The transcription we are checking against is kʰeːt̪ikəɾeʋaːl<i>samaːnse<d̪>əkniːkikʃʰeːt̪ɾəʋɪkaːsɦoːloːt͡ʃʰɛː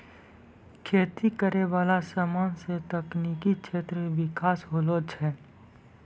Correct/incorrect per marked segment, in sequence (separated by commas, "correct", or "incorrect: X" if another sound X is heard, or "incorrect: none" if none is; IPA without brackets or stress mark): incorrect: a, incorrect: t̪